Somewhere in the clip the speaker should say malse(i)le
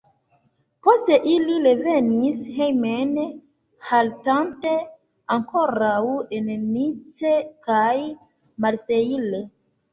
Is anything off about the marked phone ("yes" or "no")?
no